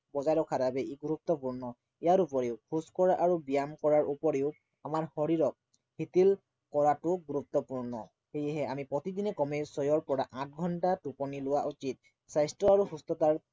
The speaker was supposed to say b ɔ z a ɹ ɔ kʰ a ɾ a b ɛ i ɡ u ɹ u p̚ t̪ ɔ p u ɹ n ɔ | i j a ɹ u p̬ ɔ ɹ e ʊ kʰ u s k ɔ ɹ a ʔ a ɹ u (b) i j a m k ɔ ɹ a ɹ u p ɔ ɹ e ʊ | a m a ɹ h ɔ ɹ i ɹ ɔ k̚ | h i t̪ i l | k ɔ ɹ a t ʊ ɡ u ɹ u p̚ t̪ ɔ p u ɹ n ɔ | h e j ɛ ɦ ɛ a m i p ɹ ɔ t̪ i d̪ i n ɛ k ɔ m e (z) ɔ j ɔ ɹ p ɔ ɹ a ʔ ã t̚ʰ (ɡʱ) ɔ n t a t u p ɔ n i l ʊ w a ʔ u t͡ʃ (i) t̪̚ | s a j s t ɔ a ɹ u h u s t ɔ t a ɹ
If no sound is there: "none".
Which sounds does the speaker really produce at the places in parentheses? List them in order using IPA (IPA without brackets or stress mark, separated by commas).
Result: b, s, ɡʱ, i